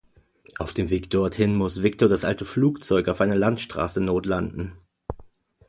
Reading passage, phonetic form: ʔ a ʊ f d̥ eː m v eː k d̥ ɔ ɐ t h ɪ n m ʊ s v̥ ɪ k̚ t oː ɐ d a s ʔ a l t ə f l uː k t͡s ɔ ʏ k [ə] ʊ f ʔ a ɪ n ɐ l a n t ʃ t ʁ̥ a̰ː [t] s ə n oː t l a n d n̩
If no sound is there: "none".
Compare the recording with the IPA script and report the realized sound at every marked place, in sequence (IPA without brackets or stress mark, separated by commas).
a, none